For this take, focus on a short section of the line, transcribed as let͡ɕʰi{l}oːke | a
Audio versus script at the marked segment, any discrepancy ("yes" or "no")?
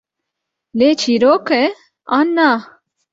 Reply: yes